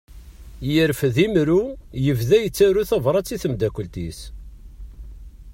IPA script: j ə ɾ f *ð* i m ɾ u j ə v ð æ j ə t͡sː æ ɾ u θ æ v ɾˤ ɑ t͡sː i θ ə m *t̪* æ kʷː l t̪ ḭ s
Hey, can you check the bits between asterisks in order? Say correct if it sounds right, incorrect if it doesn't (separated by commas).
correct, incorrect